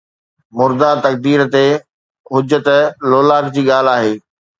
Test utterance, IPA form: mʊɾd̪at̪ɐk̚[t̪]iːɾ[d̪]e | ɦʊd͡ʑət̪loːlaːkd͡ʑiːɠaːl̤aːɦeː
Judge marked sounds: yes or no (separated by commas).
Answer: no, no